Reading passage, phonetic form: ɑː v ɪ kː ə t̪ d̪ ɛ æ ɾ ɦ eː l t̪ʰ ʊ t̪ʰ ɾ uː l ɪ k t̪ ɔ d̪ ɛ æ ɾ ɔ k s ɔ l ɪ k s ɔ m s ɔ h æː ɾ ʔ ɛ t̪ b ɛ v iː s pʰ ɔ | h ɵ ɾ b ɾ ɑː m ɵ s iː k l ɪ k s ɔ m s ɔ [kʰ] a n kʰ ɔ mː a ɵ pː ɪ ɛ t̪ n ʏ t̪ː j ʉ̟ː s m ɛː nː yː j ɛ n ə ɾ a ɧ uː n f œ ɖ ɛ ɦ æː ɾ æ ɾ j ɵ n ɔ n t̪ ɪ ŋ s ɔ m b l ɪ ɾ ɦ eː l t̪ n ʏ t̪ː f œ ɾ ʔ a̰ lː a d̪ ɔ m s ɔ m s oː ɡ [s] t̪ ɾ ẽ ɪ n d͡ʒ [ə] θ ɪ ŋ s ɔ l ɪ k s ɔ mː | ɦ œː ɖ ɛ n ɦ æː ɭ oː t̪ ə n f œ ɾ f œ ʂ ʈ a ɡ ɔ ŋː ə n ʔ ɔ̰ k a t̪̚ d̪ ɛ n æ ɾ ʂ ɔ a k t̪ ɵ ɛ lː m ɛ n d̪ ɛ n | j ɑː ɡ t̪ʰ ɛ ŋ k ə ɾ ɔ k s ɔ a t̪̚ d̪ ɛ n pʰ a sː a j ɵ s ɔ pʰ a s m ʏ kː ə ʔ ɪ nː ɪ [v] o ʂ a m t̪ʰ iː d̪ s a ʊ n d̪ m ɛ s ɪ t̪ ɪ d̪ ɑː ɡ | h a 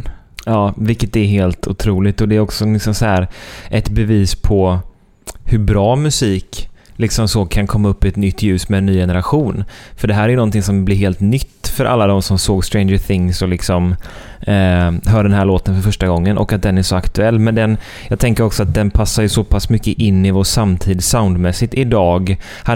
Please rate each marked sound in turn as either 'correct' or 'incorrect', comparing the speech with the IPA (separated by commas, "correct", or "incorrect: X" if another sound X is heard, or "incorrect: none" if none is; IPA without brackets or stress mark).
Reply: correct, correct, correct, correct